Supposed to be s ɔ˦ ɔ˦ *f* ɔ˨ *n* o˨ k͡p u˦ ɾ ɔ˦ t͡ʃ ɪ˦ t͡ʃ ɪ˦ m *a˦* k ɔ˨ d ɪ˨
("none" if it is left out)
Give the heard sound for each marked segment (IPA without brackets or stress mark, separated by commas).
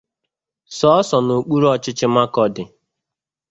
s, n, a˦